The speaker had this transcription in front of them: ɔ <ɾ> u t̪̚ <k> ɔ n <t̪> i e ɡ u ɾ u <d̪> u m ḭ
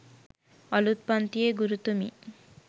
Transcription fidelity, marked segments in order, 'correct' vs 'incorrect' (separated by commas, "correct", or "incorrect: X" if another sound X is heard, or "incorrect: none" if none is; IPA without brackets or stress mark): incorrect: l, incorrect: p, correct, incorrect: t̪